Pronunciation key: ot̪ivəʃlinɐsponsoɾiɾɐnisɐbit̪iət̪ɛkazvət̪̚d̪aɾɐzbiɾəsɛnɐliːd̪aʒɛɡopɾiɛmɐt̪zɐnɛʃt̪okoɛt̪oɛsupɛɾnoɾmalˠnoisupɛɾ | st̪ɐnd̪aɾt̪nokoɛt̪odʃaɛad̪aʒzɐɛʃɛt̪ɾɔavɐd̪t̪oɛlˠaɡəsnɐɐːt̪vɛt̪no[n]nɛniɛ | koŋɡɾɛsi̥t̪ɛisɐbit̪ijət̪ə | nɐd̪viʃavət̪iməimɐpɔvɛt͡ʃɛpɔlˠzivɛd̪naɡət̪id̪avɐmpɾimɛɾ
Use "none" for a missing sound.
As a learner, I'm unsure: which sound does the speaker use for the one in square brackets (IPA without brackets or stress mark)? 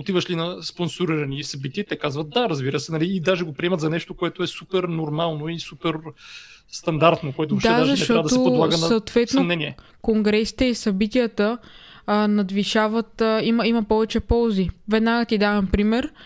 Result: m